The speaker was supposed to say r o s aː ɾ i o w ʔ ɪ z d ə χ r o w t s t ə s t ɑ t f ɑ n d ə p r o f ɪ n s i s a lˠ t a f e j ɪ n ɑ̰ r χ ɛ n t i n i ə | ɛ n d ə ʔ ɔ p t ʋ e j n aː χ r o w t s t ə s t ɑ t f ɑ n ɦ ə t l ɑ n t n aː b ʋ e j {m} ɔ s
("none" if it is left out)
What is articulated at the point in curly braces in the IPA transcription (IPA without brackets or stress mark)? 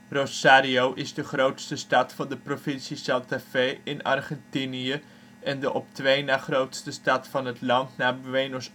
n